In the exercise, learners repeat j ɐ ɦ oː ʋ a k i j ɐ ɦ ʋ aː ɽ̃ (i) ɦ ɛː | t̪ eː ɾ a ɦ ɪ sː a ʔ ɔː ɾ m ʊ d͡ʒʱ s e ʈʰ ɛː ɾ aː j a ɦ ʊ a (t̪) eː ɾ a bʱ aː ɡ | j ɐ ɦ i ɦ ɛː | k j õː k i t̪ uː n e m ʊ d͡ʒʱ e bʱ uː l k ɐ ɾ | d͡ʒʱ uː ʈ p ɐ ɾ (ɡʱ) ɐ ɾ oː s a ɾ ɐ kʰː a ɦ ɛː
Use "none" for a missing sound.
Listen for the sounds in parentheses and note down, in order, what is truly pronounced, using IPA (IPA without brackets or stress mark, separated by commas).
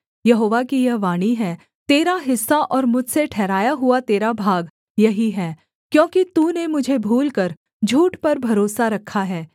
i, t̪, bʱ